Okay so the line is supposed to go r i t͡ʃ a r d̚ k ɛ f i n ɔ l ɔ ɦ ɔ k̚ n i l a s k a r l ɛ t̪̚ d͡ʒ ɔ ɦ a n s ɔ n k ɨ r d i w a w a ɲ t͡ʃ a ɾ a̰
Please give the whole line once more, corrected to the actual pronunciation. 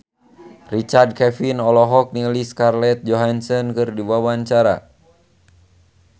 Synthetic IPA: r i t͡ʃ a r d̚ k ɛ f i n ɔ l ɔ ɦ ɔ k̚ n i l i s k a r l ɛ t̪̚ d͡ʒ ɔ ɦ a n s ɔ n k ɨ r d i w a w a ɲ t͡ʃ a ɾ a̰